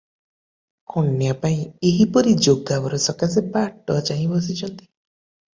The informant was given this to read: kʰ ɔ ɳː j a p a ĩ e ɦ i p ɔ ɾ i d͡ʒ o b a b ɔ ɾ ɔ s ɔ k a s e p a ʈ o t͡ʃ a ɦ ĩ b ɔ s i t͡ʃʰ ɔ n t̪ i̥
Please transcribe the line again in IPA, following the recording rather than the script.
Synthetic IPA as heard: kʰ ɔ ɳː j a p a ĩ e ɦ i p ɔ ɾ i d͡ʒ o ɡ a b ɔ ɾ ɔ s ɔ k a s e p a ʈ ɔ t͡ʃ a ɦ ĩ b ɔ s i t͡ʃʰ ɔ n t̪ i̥